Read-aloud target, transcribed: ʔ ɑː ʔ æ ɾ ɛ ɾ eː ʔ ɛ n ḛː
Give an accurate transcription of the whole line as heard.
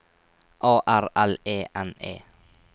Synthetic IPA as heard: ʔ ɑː ʔ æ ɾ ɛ l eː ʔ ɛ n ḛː